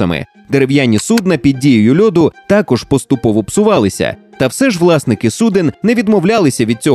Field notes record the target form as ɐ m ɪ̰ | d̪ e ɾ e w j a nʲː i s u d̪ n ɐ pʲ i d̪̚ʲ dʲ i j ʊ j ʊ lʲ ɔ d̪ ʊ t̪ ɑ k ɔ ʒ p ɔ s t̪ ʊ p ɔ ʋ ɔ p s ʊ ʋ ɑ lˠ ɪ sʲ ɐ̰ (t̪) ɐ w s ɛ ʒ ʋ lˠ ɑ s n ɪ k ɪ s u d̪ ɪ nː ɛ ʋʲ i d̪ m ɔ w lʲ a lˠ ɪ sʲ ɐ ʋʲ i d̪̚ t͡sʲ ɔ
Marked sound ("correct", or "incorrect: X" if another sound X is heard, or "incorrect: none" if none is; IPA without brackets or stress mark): correct